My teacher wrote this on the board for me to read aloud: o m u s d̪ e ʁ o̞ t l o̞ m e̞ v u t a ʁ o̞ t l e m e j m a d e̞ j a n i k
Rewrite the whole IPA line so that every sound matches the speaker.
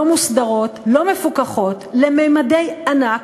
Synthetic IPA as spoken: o m u s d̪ a ʁ o̞ t l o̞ m e̞ f u k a χ o̞ t l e m e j m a d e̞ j a n a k